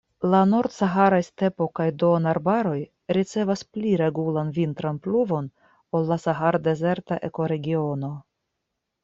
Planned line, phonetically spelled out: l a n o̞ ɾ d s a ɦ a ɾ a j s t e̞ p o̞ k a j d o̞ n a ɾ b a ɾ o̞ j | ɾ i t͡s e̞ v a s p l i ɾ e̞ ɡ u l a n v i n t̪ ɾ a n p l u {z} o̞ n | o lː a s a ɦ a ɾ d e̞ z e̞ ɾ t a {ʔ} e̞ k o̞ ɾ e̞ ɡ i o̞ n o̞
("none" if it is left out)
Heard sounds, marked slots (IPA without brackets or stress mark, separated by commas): v, ʔ